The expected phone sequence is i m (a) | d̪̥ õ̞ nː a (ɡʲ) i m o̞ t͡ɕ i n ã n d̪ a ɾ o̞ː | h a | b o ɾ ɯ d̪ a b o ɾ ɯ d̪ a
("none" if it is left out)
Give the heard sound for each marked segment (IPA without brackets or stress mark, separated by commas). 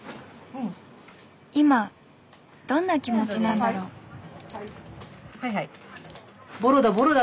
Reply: a, kʲ